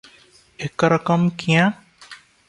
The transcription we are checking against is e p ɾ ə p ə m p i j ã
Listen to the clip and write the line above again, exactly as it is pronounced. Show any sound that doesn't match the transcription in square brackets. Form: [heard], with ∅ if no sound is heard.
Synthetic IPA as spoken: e [k] ɾ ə [k] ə m [k] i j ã

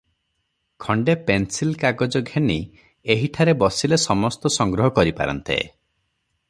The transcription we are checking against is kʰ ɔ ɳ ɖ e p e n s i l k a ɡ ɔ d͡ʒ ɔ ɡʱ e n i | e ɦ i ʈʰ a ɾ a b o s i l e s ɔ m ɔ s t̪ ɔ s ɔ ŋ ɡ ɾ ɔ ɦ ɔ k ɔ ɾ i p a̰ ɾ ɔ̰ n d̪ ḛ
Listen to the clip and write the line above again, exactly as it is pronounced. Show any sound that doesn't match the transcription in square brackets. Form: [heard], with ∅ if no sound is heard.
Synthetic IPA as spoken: kʰ ɔ ɳ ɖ e p e n s i l k a ɡ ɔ d͡ʒ ɔ ɡʱ e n i | e ɦ i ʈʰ a ɾ [e] b [ɔ] s i l e s ɔ m ɔ s t̪ ɔ s ɔ ŋ ɡ ɾ ɔ ɦ ɔ k ɔ ɾ i p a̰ ɾ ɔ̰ n [t̪] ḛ

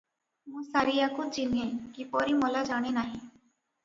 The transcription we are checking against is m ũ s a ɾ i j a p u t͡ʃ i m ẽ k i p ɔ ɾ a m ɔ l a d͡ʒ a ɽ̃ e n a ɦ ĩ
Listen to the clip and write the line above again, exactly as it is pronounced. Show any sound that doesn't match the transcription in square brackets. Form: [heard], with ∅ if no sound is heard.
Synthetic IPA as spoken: m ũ s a ɾ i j a [k] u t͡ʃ i [n] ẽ k i p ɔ ɾ [i] m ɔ l a d͡ʒ a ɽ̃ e n a ɦ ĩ

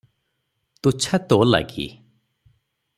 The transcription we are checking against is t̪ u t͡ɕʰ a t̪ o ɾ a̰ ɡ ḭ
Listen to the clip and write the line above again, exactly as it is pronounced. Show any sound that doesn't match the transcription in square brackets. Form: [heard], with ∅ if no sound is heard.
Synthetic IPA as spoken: t̪ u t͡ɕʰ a t̪ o [l] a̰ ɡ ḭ

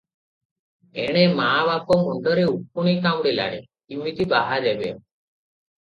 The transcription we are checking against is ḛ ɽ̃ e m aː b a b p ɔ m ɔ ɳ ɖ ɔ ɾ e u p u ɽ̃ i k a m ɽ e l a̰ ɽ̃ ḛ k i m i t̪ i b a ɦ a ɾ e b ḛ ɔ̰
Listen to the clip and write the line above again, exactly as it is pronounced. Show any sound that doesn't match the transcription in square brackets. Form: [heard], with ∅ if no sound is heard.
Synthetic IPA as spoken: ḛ ɽ̃ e m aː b a [∅] p ɔ m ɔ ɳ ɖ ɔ ɾ e u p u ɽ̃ i k a m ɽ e l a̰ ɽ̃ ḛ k i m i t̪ i b a ɦ a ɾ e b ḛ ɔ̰

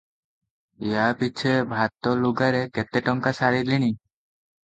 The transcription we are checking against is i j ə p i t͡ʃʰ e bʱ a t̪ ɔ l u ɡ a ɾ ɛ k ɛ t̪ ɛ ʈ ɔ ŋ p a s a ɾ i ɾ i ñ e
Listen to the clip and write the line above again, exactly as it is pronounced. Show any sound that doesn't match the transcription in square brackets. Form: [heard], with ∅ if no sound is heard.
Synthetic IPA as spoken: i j [a] p i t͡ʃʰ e bʱ a t̪ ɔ l u ɡ a ɾ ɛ k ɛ t̪ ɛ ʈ ɔ ŋ [k] a s a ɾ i [l] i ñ [i]

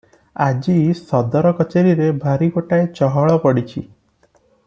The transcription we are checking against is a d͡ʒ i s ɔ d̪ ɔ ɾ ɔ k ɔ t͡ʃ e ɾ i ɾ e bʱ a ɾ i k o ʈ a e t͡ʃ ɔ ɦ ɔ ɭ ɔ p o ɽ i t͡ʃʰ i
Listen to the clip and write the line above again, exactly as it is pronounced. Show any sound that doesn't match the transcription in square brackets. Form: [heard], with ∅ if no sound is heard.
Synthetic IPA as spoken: a d͡ʒ i s ɔ d̪ ɔ ɾ ɔ k ɔ t͡ʃ e ɾ i ɾ e bʱ a ɾ i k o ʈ a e t͡ʃ ɔ ɦ ɔ ɭ ɔ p [ɔ] ɽ i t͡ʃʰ i

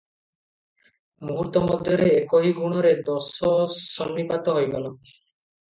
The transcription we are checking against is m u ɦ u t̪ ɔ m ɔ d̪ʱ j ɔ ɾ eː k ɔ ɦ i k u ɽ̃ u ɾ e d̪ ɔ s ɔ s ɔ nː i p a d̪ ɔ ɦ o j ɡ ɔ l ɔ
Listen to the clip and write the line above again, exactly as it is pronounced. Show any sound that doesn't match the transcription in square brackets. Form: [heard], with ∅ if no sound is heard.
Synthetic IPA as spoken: m u ɦ u t̪ ɔ m ɔ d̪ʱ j ɔ ɾ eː k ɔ ɦ i [ɡ] u ɽ̃ [ɔ] ɾ e d̪ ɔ s ɔ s ɔ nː i p a [t̪] ɔ ɦ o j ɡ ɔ l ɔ

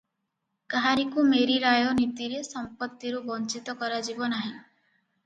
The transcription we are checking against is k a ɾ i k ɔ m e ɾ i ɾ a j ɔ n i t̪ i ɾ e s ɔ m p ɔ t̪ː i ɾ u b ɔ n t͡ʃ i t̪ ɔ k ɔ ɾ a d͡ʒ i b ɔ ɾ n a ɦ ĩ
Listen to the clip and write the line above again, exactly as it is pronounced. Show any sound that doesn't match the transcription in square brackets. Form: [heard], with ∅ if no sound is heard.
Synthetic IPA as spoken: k a ɾ i k [u] m e ɾ i ɾ a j ɔ n i t̪ i ɾ e s ɔ m p ɔ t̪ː i ɾ u b ɔ n t͡ʃ i t̪ ɔ k ɔ ɾ a d͡ʒ i b ɔ [∅] n a ɦ ĩ

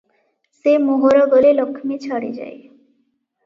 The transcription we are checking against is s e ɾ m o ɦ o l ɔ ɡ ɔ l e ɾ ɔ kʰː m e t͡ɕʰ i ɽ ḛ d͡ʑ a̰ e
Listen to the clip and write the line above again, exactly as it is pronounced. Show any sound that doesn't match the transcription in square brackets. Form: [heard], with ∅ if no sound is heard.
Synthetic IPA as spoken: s e [∅] m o ɦ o [ɾ] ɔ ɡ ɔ l e [l] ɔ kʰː m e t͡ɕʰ [a] ɽ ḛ d͡ʑ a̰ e

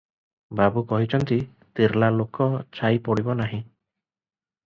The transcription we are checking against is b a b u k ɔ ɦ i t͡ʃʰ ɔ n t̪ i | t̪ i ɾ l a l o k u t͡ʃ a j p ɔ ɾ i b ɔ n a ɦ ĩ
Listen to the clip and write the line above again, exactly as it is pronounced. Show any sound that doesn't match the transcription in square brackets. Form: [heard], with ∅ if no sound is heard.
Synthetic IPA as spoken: b a b u k ɔ ɦ i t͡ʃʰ ɔ n t̪ i | t̪ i ɾ l a l o k [ɔ] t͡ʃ a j p ɔ [ɽ] i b ɔ n a ɦ ĩ

